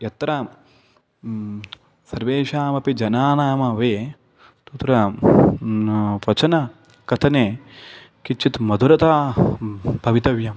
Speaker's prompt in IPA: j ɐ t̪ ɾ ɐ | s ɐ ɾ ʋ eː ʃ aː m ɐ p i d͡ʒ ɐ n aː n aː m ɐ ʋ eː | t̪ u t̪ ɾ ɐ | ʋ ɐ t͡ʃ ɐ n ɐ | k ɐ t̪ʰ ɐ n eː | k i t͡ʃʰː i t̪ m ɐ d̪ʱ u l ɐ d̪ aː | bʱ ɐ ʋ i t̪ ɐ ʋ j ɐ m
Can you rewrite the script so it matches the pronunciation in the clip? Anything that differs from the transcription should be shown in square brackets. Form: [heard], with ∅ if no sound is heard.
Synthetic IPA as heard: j ɐ t̪ ɾ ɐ | s ɐ ɾ ʋ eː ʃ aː m ɐ p i d͡ʒ ɐ n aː n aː m ɐ ʋ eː | t̪ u t̪ ɾ ɐ | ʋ ɐ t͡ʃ ɐ n ɐ | k ɐ t̪ʰ ɐ n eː | k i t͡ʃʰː i t̪ m ɐ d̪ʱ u [ɾ] ɐ [t̪] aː | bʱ ɐ ʋ i t̪ ɐ ʋ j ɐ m